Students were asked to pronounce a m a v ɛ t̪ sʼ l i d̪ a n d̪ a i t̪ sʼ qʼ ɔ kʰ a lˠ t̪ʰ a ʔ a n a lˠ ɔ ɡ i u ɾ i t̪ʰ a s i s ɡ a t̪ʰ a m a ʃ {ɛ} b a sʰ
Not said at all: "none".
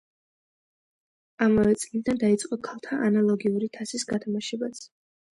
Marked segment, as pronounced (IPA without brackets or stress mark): ɛ